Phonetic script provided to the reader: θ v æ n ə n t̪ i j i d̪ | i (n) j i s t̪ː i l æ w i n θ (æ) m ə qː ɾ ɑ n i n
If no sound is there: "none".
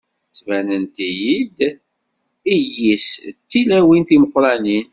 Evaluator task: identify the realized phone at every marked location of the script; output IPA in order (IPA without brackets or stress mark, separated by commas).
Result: none, i